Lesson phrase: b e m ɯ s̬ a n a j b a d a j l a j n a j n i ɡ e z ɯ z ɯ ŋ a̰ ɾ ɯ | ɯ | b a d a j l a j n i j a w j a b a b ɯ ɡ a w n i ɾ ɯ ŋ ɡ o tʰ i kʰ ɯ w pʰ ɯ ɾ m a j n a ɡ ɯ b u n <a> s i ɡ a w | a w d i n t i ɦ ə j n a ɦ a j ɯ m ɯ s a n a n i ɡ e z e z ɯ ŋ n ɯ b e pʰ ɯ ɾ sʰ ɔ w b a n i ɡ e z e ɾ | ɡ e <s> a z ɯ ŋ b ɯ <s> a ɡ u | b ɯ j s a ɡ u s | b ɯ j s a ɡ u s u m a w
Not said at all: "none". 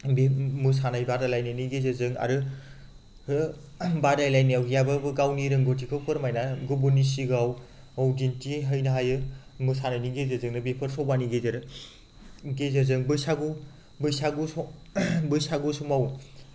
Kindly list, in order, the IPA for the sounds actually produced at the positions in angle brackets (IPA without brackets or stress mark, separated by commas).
i, z, s